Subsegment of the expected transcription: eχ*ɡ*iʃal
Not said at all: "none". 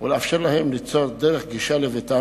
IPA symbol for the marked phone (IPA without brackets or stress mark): ɡ